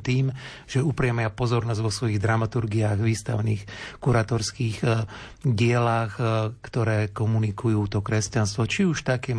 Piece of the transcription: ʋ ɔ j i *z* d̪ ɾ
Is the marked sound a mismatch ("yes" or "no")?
yes